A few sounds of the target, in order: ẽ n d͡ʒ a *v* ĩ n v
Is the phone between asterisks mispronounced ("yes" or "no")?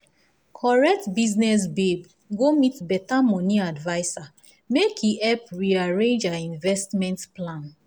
yes